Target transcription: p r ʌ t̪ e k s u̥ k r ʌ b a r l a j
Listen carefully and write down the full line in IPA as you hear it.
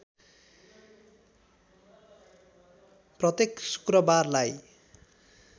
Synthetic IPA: p r ʌ t̪ e k s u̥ k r ʌ b a r l a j